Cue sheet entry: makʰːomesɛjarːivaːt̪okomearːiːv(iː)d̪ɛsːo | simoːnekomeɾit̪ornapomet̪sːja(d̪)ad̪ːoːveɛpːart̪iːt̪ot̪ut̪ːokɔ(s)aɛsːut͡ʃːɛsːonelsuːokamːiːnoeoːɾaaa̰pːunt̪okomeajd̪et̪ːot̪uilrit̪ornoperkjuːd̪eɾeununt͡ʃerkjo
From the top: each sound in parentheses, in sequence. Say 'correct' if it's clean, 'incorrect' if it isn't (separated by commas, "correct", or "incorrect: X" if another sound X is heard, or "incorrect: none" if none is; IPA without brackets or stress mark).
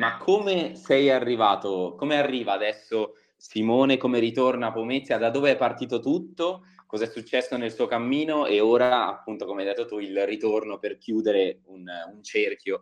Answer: incorrect: aː, correct, incorrect: z